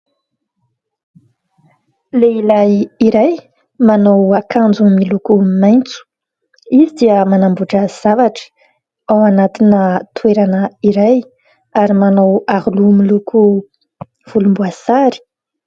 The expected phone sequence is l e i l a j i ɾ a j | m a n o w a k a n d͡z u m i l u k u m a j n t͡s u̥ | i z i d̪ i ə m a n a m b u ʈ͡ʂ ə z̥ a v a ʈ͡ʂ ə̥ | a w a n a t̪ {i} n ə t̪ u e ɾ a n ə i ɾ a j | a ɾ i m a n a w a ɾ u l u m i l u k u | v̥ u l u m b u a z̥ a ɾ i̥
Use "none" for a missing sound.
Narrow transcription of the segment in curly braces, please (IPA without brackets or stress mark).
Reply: i